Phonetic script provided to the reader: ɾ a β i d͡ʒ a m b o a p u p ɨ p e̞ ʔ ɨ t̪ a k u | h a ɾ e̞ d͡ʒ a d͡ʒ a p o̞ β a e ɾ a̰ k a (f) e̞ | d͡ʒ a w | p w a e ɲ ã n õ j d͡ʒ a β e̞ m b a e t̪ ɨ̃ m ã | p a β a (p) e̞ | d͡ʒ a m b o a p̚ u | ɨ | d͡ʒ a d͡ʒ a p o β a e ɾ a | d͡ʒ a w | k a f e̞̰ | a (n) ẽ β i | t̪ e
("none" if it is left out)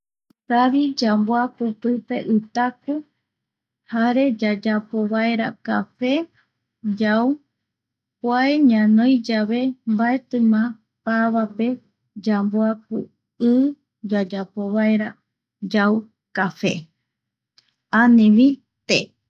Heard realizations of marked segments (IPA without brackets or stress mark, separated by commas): f, p, n